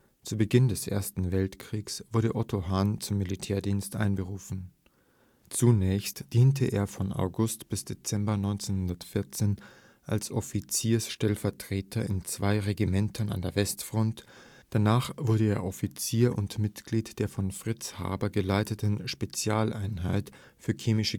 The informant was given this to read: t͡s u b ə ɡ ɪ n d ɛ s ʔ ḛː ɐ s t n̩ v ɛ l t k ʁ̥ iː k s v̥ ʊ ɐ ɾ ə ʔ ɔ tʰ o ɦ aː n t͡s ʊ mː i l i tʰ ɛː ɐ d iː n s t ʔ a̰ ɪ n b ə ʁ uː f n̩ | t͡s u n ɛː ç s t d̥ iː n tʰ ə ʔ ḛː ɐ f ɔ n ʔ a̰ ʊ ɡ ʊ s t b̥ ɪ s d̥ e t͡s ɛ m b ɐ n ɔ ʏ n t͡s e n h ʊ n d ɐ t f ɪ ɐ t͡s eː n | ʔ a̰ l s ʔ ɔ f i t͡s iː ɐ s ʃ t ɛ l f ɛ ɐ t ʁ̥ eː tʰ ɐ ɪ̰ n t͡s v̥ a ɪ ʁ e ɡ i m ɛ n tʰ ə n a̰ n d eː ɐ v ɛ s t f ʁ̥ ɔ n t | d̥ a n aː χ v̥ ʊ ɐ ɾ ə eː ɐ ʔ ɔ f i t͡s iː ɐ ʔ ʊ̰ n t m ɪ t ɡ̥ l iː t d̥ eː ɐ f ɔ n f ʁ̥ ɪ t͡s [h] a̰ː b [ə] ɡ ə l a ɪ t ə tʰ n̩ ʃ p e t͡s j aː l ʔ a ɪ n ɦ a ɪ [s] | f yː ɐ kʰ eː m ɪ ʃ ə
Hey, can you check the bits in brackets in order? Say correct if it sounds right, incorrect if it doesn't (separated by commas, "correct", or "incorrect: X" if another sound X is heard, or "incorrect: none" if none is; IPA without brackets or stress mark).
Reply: correct, incorrect: ɐ, incorrect: t